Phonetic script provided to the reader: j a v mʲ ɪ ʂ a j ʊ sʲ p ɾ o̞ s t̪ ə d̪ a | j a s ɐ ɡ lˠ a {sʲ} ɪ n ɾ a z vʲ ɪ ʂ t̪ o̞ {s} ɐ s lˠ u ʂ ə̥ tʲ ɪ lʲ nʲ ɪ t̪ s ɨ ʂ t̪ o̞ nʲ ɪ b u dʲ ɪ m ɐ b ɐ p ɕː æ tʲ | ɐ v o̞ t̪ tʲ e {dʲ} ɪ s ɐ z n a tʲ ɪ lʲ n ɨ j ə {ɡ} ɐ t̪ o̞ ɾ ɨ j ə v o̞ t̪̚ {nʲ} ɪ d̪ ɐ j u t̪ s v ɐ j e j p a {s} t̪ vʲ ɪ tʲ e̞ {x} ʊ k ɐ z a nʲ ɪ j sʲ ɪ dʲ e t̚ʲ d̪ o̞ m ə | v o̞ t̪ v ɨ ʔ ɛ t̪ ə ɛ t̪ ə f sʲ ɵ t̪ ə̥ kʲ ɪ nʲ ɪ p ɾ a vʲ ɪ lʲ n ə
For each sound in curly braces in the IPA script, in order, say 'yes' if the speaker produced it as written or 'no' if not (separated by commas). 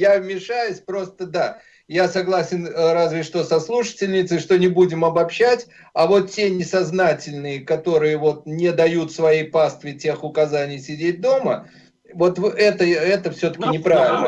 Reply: yes, yes, no, no, yes, yes, yes